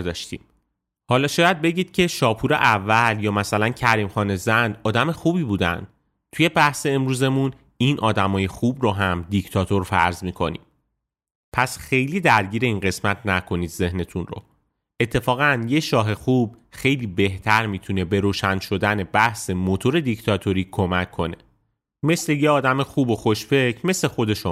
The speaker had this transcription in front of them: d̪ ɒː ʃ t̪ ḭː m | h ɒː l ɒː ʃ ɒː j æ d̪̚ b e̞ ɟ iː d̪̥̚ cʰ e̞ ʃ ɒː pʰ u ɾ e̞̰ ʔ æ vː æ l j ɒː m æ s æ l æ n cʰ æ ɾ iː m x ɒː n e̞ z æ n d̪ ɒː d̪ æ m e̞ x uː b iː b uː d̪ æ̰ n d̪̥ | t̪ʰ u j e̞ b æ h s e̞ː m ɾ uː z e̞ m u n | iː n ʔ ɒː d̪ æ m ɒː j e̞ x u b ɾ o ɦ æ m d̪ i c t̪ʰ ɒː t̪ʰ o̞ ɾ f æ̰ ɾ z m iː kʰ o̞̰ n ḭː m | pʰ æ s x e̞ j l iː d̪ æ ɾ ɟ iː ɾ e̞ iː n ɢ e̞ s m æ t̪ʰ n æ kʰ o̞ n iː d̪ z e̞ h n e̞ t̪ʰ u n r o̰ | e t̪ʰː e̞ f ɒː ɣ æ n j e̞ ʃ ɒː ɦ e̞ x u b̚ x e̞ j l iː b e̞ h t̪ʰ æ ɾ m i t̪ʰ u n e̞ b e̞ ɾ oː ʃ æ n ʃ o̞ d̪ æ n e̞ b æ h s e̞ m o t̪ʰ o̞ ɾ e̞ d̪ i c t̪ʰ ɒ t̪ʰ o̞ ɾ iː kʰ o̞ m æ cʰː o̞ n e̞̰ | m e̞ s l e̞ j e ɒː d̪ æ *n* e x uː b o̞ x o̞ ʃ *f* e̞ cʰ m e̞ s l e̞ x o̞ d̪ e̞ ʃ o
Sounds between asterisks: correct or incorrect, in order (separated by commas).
incorrect, correct